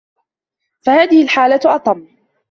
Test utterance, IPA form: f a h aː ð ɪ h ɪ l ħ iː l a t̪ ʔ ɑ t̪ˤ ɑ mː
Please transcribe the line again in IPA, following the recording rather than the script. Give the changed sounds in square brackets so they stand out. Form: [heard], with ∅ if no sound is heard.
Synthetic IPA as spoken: f a h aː ð ɪ h ɪ l ħ [aː] l a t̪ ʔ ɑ t̪ˤ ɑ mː